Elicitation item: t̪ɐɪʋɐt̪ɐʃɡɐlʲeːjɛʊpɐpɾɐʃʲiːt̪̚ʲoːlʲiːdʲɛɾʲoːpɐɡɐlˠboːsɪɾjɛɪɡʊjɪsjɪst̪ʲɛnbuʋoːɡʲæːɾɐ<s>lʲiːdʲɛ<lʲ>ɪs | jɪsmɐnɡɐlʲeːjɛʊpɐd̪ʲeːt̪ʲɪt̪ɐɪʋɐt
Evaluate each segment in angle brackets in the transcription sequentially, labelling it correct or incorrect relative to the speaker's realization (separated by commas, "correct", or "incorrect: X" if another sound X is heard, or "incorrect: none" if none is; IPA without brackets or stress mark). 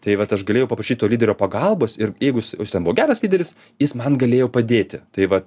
correct, incorrect: ɾʲ